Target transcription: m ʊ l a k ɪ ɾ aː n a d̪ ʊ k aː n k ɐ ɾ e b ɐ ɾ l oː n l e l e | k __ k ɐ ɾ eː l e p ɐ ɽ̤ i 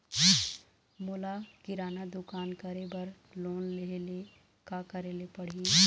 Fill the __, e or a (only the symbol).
a